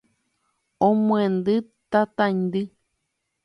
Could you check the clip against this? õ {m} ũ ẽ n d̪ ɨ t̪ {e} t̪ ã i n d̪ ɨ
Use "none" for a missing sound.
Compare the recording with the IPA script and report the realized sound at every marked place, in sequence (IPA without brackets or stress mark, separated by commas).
m, a